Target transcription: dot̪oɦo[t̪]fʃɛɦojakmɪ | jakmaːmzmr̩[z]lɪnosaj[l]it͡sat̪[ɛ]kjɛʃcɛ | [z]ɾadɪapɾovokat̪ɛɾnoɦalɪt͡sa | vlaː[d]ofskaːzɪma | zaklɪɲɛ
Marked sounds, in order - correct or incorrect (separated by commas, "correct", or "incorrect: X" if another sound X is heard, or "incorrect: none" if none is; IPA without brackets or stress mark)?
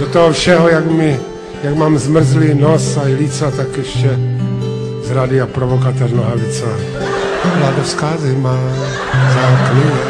incorrect: none, correct, correct, incorrect: a, correct, correct